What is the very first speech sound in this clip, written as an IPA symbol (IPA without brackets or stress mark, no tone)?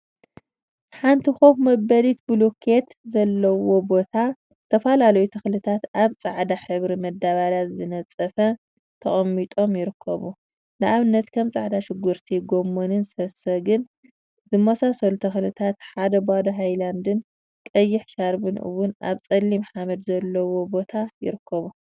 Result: ħ